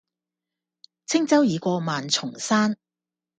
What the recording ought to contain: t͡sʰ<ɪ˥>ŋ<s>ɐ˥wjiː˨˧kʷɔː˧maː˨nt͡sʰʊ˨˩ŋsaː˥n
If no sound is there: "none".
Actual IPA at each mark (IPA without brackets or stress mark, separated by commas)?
ɪ˥, t͡s